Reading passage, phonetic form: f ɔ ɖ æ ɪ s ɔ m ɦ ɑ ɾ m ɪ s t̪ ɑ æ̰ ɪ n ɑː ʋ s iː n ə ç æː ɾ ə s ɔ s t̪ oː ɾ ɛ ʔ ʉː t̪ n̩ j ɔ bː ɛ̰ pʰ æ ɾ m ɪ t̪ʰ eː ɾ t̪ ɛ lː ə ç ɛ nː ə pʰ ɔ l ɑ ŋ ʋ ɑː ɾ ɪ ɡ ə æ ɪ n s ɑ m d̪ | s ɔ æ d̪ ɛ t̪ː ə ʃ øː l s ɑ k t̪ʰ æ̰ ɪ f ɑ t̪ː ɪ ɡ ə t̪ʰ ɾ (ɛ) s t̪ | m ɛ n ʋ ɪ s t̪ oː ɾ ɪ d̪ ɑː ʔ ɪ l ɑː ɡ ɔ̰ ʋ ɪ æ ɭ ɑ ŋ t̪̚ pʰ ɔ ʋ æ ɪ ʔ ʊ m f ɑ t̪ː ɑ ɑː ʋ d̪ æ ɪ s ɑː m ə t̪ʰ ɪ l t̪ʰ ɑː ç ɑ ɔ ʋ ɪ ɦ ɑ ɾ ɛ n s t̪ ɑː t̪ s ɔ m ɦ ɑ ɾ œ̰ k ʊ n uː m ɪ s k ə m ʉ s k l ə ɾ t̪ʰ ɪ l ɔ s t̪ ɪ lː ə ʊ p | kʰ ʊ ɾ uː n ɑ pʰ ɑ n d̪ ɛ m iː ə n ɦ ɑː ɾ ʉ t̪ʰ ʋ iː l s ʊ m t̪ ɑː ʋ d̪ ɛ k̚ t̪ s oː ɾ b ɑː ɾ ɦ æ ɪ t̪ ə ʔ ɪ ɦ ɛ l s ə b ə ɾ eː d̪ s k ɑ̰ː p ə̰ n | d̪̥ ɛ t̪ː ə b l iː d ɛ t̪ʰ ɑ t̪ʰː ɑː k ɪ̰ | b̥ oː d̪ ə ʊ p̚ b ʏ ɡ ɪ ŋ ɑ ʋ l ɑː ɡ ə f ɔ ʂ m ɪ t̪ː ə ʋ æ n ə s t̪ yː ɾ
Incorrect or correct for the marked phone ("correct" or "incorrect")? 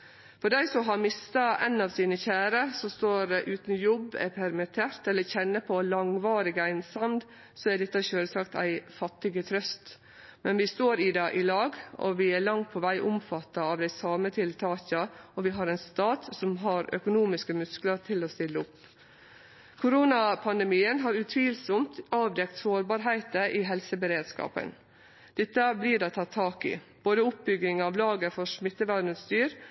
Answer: incorrect